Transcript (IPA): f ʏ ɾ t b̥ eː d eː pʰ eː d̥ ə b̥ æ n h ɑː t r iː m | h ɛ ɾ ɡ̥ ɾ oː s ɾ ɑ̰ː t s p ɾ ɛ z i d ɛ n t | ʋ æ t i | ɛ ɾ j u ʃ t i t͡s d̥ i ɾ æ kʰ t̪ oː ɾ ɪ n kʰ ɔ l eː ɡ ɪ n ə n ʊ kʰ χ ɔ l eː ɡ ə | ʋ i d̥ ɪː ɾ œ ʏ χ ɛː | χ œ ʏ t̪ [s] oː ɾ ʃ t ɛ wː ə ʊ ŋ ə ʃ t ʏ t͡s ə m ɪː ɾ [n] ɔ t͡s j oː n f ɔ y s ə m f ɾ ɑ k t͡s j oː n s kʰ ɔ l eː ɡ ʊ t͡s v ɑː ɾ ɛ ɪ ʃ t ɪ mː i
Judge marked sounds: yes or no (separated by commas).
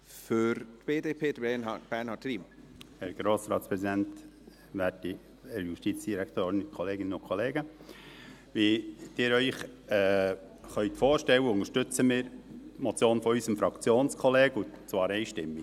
no, no